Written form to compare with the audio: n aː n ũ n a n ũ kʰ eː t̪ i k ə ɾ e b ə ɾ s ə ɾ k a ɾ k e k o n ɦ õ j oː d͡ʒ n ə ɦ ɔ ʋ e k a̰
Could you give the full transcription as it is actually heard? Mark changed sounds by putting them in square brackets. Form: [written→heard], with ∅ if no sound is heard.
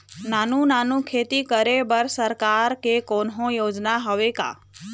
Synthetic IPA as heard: n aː n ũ n a n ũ kʰ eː t̪ i k ə ɾ e b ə ɾ s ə ɾ k a ɾ k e k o n ɦ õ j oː d͡ʒ n [ə→a] ɦ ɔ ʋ e k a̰

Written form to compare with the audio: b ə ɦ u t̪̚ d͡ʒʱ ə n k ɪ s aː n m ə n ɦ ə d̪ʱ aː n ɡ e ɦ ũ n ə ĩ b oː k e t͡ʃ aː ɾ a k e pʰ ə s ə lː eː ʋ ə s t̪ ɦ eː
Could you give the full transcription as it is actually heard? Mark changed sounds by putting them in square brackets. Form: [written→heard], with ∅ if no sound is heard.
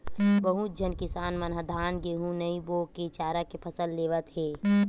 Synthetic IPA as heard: b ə ɦ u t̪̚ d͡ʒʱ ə n k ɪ s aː n m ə n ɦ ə d̪ʱ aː n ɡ e ɦ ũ n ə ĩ b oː k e t͡ʃ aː ɾ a k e pʰ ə s ə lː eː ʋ ə [s→∅] t̪ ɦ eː

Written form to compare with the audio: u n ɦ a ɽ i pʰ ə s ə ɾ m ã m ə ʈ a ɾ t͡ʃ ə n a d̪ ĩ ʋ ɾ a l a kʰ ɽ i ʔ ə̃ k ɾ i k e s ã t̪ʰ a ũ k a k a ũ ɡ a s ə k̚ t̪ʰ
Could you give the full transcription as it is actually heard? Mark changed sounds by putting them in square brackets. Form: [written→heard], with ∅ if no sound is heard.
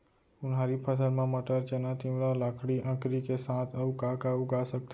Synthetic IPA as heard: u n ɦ a [ɽ→ɾ] i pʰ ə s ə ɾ m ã m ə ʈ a ɾ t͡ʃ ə n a [d̪→t̪] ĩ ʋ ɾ a l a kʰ ɽ i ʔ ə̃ k ɾ i k e s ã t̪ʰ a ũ k a k a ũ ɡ a s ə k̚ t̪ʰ

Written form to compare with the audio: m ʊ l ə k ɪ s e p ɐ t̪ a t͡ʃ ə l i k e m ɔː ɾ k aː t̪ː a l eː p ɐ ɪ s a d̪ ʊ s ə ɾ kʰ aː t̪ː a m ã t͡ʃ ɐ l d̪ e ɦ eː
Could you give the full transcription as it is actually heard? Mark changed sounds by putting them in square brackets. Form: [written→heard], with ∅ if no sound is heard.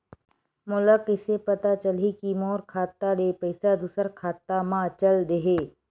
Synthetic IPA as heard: m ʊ l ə k ɪ s e p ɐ t̪ a t͡ʃ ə l i k [e→i] m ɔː ɾ [k→kʰ] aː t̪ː a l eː p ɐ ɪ s a d̪ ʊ s ə ɾ kʰ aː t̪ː a m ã t͡ʃ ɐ l d̪ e ɦ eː

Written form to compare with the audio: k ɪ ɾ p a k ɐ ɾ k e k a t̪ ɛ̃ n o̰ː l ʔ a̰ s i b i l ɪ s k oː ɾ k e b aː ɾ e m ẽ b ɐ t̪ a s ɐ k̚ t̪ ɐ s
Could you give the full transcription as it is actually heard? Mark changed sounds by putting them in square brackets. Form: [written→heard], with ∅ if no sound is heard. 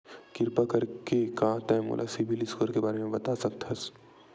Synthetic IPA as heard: k ɪ ɾ p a k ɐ ɾ k e k a t̪ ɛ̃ [n→m] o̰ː l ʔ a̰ s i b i l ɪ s k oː ɾ k e b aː ɾ e m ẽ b ɐ t̪ a s ɐ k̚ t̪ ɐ s

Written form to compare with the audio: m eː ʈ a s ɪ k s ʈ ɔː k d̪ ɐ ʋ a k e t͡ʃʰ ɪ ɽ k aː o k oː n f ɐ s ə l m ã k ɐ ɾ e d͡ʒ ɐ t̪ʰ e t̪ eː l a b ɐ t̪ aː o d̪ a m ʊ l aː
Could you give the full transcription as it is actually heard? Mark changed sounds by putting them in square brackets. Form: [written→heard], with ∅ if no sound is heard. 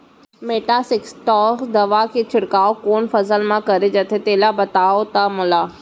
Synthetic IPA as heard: m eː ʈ a s ɪ k s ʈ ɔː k d̪ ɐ ʋ a k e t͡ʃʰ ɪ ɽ k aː o k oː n f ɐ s ə l m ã k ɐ ɾ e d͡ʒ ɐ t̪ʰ e t̪ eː l a b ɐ t̪ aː o [d̪→t̪] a m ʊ l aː

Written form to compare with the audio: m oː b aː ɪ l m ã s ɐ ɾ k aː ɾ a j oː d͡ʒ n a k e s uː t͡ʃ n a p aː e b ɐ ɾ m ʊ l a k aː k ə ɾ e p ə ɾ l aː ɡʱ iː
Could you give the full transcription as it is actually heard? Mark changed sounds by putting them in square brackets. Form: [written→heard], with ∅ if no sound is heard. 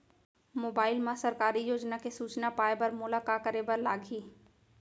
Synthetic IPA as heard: m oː b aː ɪ l m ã s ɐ ɾ k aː ɾ [a→i] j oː d͡ʒ n a k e s uː t͡ʃ n a p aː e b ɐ ɾ m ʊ l a k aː k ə ɾ e [p→b] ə ɾ l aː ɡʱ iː

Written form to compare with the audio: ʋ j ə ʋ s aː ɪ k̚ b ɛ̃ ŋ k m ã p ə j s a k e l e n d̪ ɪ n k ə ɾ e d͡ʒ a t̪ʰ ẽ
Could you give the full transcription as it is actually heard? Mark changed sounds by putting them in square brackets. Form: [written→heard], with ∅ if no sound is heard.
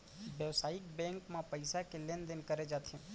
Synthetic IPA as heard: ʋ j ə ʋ s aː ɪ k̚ b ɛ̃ ŋ k m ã p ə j s a k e l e n d̪ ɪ n k ə ɾ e d͡ʒ a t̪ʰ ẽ

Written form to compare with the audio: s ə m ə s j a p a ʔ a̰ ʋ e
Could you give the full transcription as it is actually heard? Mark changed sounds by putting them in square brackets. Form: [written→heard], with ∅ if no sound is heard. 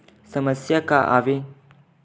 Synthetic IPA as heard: s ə m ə s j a [p→k] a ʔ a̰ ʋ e

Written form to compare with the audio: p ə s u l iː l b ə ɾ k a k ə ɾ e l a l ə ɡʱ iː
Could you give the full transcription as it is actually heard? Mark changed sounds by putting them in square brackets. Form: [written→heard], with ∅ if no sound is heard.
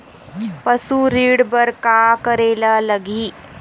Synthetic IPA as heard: p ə s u [l→ɾ] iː [l→ɽ] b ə ɾ k a k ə ɾ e l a l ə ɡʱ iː

